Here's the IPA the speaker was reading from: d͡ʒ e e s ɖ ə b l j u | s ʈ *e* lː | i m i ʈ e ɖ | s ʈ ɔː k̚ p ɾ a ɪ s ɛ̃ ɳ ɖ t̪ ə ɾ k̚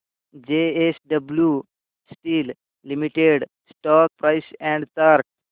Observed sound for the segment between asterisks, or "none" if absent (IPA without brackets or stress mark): i